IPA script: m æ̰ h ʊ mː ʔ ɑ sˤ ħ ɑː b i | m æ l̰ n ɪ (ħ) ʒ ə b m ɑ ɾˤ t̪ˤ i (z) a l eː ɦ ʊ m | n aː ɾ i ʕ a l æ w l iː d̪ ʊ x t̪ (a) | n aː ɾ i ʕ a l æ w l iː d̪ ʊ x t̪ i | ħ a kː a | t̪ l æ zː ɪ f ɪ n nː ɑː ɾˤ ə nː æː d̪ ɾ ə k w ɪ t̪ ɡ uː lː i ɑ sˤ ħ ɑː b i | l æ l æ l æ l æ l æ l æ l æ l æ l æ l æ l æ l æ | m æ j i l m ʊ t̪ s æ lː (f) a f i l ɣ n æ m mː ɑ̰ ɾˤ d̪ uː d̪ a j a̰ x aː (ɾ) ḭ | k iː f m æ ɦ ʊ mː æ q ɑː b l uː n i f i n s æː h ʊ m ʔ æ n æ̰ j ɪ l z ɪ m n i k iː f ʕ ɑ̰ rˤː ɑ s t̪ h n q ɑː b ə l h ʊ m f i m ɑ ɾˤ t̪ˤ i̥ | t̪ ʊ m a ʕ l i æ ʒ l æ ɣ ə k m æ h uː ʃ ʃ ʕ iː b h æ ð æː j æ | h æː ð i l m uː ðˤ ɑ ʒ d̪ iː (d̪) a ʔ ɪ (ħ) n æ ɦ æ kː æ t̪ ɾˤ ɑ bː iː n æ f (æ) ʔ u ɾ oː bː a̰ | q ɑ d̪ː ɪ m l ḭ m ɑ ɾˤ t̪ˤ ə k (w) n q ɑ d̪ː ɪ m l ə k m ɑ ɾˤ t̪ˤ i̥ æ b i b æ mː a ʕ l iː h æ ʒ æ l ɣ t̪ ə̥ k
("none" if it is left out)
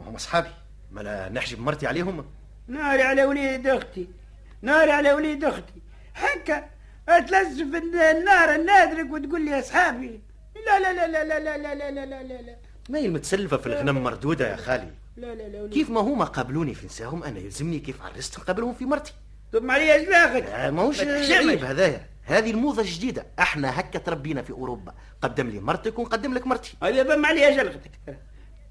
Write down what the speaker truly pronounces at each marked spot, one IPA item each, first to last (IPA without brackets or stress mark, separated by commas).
ħ, ʕ, i, f, l, d̪, ħ, i, w